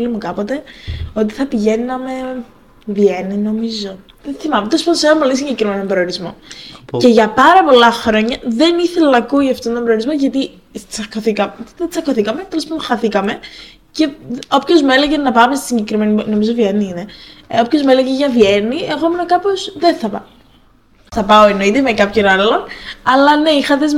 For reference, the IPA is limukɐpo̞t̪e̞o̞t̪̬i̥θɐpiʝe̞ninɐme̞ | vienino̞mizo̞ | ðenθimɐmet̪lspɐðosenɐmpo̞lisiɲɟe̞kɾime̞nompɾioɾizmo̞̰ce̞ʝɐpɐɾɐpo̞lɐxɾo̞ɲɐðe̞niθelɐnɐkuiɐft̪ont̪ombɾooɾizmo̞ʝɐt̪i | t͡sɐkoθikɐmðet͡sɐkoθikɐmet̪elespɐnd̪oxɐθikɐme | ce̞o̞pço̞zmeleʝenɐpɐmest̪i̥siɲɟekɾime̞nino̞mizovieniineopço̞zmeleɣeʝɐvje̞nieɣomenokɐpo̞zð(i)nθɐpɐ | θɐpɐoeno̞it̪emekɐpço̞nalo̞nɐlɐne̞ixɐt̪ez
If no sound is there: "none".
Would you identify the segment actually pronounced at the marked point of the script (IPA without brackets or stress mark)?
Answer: e